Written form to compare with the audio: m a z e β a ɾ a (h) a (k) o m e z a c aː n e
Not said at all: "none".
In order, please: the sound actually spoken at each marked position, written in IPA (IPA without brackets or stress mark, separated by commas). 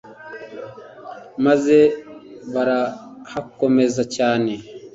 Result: h, k